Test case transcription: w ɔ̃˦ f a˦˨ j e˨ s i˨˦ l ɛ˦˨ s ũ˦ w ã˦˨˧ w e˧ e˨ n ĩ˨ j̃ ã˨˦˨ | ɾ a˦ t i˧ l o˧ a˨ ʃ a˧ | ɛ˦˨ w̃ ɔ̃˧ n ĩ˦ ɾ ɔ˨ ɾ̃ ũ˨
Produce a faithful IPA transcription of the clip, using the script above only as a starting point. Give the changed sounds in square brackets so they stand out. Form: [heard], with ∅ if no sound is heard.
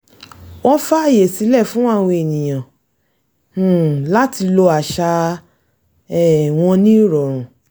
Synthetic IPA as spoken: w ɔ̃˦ f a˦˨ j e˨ s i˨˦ l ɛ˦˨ [f] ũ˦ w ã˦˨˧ w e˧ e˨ n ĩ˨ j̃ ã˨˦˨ | [l] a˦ t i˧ l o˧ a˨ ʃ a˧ | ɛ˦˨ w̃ ɔ̃˧ n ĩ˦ ɾ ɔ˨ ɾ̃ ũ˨